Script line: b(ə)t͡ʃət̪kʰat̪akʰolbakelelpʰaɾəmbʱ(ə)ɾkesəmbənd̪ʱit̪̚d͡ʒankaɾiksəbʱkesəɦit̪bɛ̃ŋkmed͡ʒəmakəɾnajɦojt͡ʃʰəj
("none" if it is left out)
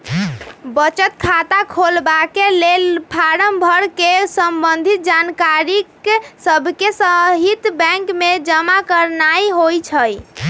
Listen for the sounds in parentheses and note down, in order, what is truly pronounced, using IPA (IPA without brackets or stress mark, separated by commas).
ə, ə